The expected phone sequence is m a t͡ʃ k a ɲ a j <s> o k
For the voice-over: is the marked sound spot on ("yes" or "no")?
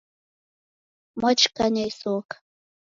yes